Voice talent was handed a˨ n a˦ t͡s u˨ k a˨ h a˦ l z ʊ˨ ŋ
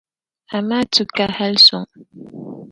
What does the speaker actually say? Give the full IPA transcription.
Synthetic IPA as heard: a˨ m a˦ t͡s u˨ k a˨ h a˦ l s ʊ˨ ŋ

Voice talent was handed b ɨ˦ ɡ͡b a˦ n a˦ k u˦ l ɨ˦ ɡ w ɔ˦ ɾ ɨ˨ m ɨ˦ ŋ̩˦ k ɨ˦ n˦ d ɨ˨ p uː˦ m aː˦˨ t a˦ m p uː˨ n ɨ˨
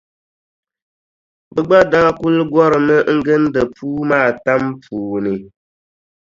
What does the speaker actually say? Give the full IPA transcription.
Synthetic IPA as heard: b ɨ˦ ɡ͡b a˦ d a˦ k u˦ l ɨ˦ ɡ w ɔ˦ ɾ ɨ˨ m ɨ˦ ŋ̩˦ ɡ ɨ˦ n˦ d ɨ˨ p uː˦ m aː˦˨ t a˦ m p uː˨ n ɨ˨

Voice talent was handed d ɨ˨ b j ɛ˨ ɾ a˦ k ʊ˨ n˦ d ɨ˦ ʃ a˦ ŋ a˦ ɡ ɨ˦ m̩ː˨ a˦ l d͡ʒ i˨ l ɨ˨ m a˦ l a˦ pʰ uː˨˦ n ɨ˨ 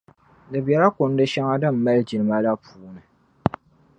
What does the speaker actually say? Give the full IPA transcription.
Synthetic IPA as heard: d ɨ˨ b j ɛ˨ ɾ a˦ k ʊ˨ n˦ d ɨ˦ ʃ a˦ ŋ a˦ d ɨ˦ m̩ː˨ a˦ l d͡ʒ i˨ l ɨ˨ m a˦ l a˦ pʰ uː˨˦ n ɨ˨

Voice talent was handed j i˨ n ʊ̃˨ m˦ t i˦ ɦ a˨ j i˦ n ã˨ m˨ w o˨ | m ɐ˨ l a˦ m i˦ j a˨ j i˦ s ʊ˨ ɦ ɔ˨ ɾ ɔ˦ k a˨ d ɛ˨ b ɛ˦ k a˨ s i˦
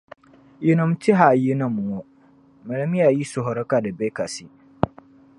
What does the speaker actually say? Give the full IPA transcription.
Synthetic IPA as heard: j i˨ n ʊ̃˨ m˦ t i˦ ɦ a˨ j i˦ n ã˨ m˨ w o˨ | m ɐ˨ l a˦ m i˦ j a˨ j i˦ s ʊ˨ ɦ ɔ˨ ɾ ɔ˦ k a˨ d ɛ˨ b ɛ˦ k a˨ s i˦

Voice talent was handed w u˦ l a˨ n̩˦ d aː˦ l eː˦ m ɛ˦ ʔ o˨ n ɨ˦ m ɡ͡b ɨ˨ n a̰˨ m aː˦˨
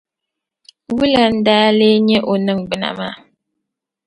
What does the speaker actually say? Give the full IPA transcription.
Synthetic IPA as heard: w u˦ l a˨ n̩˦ d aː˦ l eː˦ ɲ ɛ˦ ʔ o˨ n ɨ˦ ŋ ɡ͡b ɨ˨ n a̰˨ m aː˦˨

